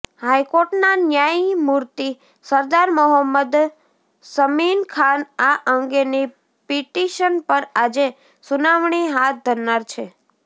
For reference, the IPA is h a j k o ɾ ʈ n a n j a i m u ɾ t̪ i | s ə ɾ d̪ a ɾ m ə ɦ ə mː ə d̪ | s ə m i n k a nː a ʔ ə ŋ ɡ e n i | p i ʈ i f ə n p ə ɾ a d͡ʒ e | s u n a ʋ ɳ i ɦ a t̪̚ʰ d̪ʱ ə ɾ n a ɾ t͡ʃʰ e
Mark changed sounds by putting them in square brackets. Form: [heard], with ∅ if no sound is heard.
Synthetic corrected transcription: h a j k o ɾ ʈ n a n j a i m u ɾ t̪ i | s ə ɾ d̪ a ɾ m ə ɦ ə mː ə d̪ | s ə m i n [kʰ] a [n] a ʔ ə ŋ ɡ e n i | p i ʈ i [ʃ] ə n p ə ɾ a d͡ʒ e | s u n a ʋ ɳ i ɦ a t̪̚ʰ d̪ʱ ə ɾ n a ɾ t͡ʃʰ e